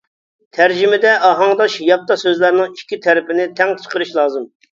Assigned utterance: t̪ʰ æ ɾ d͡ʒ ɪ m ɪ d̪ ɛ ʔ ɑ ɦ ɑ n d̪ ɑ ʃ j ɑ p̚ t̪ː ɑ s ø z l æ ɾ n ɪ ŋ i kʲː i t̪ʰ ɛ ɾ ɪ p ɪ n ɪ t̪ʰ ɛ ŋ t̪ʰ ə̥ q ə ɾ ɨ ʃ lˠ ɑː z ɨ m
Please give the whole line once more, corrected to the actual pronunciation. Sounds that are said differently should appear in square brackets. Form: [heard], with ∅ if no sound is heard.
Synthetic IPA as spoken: t̪ʰ æ ɾ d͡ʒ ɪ m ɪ d̪ ɛ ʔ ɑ ɦ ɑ [ŋ] d̪ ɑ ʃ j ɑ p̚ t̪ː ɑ s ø z l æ ɾ n ɪ ŋ i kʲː i t̪ʰ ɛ ɾ ɪ p ɪ n ɪ t̪ʰ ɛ ŋ t̪ʰ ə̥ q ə ɾ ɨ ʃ lˠ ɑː z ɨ m